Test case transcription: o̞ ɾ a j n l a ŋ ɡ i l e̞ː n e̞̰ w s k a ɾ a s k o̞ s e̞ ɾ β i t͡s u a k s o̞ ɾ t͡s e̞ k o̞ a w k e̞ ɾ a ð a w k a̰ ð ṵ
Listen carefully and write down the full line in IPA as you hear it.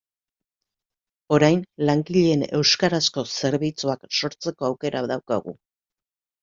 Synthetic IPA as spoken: o̞ ɾ a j n l a ŋ ɡ i ʎ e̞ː n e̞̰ w s k a ɾ a s k o̞ s e̞ ɾ β i t͡s u a k s o̞ ɾ t͡s e̞ k o̞ a w k e̞ ɾ a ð a w k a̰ ɣ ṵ